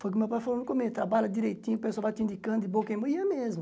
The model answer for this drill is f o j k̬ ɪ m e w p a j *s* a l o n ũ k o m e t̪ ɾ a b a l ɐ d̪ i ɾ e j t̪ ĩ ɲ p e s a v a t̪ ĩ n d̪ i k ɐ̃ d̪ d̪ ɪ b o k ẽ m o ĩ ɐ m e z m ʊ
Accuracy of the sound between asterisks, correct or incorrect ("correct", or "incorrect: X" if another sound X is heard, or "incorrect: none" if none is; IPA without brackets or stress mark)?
incorrect: f